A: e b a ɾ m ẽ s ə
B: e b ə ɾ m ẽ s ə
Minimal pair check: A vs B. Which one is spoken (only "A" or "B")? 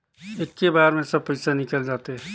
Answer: A